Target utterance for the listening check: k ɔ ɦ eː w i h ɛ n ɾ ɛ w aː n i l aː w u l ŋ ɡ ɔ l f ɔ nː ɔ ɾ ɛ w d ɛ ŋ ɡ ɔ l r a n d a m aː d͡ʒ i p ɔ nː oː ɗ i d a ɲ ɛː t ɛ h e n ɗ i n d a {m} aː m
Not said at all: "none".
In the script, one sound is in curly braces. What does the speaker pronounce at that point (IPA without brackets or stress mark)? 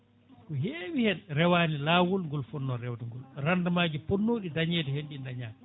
ɲ